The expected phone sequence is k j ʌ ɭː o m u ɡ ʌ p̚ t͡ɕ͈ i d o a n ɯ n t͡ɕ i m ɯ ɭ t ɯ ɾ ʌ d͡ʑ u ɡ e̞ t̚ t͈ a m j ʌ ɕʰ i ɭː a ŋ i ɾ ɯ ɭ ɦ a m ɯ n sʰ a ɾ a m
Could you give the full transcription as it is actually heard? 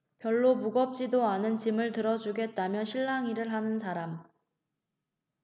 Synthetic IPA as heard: p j ʌ ɭː o m u ɡ ʌ p̚ t͡ɕ͈ i d o a n ɯ n t͡ɕ i m ɯ ɭ t ɯ ɾ ʌ d͡ʑ u ɡ e̞ t̚ t͈ a m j ʌ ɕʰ i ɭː a ŋ i ɾ ɯ ɭ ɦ a n ɯ n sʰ a ɾ a m